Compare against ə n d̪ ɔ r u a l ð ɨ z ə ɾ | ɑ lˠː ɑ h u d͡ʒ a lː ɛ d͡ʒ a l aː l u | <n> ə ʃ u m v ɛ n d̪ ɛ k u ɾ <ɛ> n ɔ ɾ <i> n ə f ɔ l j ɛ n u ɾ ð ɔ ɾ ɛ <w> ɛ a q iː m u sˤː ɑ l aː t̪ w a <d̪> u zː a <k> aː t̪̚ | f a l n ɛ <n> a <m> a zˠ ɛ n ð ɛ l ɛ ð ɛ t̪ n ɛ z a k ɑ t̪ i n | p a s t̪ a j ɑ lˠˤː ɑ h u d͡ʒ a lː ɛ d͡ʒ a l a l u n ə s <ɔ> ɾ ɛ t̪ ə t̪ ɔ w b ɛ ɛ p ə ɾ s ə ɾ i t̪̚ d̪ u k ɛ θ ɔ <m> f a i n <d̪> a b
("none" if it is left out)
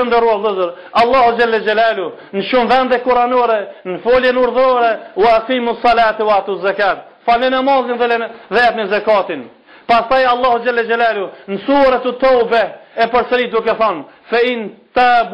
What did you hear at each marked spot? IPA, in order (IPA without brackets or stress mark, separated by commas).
n, a, ɛ, w, t̪, k, n, m, u, n, t̪